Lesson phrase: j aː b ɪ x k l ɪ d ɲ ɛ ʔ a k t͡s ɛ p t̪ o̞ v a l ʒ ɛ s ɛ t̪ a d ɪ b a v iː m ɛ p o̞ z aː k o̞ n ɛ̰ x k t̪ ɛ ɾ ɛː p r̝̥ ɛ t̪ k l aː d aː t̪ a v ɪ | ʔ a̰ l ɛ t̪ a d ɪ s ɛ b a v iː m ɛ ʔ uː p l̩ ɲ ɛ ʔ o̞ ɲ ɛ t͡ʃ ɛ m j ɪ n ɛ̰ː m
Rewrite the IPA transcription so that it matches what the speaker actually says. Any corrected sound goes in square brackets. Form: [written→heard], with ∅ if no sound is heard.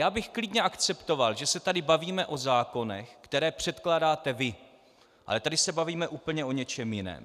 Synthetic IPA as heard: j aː b ɪ x k l ɪ d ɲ ɛ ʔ a k t͡s ɛ p t̪ o̞ v a l ʒ ɛ s ɛ t̪ a d ɪ b a v iː m ɛ [p→ʔ] o̞ z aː k o̞ n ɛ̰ x k t̪ ɛ ɾ ɛː p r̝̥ ɛ t̪ k l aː d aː t̪ [a→ɛ] v ɪ | ʔ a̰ l ɛ t̪ a d ɪ s ɛ b a v iː m ɛ ʔ uː p l̩ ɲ ɛ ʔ o̞ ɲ ɛ t͡ʃ ɛ m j ɪ n ɛ̰ː m